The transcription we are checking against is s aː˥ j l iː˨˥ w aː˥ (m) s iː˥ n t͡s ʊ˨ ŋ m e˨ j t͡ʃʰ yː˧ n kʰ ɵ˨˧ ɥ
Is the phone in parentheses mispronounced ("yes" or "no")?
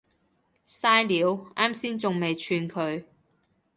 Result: no